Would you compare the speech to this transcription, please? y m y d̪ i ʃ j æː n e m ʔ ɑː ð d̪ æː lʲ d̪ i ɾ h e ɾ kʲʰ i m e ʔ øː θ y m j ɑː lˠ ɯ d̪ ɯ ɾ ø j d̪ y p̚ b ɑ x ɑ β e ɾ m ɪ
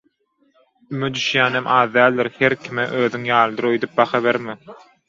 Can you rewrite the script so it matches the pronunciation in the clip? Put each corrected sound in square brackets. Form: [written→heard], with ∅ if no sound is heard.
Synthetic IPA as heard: y m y d̪ [i→y] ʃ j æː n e m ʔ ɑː ð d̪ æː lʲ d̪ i ɾ h e ɾ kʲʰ i m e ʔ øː [θ→ð] y [m→ŋ] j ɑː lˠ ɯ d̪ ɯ ɾ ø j d̪ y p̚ b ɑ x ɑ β e ɾ m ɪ